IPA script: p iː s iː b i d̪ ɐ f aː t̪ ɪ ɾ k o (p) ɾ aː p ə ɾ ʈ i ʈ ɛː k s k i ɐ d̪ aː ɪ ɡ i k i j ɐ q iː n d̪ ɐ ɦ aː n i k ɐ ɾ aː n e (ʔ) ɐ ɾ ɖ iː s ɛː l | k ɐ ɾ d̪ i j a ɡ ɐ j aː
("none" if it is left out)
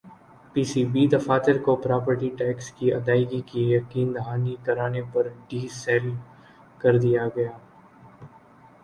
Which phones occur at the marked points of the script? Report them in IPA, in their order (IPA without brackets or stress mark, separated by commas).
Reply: p, p